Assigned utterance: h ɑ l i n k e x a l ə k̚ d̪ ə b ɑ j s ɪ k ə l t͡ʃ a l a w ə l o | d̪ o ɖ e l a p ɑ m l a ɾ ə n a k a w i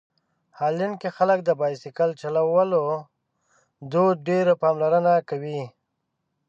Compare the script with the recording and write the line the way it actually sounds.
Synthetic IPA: h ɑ l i n k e x a l ə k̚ d̪ ə b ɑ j s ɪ k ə l t͡ʃ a l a w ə l o | d̪ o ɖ e ɾ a p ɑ m l a ɾ ə n a k a w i